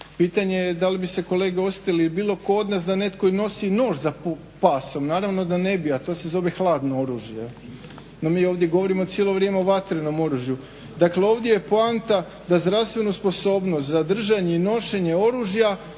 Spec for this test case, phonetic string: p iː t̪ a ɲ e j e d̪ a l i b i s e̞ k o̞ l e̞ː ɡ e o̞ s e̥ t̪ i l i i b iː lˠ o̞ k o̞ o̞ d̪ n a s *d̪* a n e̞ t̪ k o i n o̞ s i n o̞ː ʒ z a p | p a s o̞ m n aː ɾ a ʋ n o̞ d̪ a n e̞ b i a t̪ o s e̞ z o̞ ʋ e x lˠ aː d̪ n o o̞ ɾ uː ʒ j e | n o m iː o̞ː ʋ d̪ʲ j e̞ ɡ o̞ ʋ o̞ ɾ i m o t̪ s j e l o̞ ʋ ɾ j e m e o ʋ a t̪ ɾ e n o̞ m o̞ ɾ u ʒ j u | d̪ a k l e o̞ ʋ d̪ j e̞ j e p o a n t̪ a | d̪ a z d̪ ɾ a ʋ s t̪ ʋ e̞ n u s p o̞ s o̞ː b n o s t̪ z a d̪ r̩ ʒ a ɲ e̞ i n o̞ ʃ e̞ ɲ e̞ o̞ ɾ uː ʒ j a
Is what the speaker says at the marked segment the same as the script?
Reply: yes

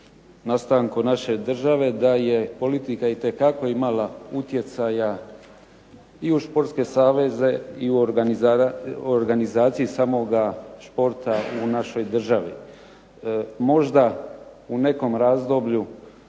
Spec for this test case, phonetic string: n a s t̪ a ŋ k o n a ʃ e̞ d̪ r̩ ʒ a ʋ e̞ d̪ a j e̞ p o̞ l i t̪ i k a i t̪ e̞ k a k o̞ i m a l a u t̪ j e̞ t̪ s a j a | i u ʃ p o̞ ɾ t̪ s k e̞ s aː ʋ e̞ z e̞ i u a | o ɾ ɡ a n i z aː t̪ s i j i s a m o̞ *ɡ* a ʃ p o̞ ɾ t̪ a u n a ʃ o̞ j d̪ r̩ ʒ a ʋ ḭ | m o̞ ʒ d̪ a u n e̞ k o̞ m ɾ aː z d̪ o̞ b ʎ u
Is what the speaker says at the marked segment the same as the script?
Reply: yes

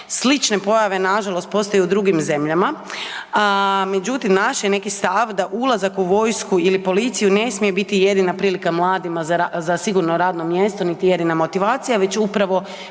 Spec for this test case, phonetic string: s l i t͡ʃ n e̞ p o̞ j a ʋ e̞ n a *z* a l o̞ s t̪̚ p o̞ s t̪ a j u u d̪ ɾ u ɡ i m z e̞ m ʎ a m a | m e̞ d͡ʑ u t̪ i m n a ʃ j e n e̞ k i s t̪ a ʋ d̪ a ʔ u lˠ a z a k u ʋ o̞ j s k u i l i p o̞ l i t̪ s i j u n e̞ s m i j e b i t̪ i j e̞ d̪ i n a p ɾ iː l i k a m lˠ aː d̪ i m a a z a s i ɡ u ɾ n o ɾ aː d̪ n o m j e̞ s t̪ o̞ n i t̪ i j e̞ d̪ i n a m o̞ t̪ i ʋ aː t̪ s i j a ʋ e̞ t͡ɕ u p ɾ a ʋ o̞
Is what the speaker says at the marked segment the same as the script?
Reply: no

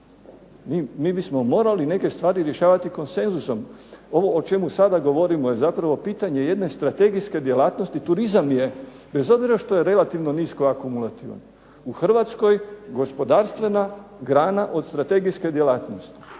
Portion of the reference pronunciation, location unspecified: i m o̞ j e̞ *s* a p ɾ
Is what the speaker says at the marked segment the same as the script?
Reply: no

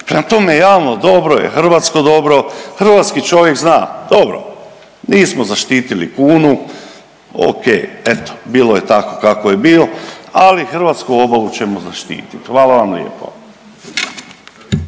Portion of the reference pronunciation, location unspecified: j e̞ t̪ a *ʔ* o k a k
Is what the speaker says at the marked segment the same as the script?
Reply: no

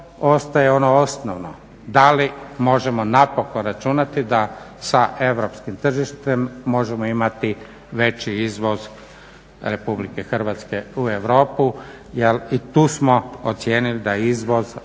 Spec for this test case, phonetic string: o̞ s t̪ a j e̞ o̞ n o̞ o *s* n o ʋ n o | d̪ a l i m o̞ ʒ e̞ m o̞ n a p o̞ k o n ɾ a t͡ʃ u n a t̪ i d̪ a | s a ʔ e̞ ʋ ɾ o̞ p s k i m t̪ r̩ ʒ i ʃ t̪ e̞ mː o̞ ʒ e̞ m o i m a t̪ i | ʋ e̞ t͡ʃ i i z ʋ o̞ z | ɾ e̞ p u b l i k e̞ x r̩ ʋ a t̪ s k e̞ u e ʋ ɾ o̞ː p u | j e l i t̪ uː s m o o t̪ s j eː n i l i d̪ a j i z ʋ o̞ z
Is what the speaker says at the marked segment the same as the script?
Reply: yes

